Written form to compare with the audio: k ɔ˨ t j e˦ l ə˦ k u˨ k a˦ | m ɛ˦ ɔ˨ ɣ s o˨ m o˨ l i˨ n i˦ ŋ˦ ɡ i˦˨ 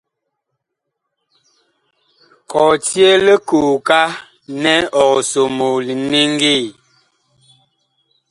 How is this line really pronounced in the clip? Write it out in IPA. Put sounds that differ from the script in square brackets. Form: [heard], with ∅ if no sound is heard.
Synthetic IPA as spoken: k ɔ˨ t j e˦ l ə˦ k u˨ k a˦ | [n] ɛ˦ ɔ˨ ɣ s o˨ m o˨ l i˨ n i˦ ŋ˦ ɡ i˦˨